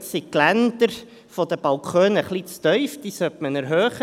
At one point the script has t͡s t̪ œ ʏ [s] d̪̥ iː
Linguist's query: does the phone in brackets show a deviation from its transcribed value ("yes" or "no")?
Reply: yes